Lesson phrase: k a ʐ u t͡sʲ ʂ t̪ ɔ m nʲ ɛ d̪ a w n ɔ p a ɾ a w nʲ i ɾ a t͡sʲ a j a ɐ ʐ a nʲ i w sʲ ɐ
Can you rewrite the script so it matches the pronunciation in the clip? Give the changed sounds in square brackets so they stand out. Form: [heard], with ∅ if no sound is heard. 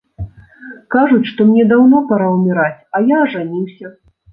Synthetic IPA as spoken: k a ʐ u t͡sʲ ʂ t̪ ɔ m nʲ ɛ d̪ a w n ɔ p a ɾ a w [mʲ] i ɾ a t͡sʲ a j a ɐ ʐ a nʲ i w sʲ ɐ